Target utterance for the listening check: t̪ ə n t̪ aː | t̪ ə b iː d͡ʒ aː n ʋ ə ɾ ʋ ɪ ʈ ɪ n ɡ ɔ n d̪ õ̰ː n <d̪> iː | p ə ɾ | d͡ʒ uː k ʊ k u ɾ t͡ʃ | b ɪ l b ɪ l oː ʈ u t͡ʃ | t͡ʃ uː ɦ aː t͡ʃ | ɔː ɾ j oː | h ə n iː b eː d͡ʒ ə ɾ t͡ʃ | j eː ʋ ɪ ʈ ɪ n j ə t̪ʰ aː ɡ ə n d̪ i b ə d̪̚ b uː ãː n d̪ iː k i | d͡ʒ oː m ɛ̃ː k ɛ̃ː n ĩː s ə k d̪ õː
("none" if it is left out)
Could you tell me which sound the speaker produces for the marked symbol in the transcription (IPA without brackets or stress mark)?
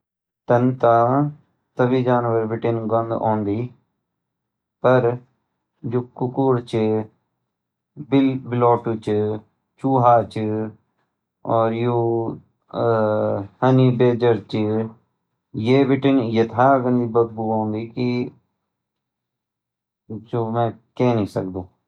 d̪